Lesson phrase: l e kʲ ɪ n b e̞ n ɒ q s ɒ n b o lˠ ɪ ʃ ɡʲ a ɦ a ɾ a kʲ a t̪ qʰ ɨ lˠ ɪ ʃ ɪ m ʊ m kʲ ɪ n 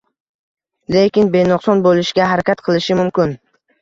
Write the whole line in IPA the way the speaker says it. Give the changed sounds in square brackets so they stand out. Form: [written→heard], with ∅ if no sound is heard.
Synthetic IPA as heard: l e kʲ ɪ n b e̞ n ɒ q s ɒ n b o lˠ ɪ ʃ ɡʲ a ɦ a ɾ a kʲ a t̪ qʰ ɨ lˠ ɪ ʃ ɪ m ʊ m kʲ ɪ n